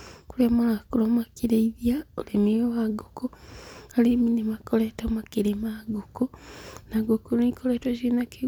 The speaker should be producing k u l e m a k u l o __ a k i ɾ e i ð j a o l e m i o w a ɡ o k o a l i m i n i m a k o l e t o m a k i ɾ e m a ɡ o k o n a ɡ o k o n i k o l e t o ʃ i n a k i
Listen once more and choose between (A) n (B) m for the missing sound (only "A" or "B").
B